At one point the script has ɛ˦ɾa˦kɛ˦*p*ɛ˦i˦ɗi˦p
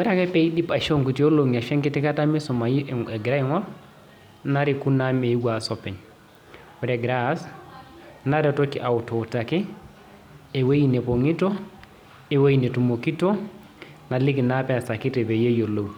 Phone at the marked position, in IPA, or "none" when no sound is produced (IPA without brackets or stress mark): p